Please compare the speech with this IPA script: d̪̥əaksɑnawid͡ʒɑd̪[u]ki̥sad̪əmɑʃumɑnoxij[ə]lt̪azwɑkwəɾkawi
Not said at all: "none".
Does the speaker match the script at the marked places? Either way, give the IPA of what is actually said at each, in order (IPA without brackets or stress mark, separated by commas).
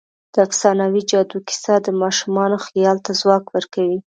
u, ɑ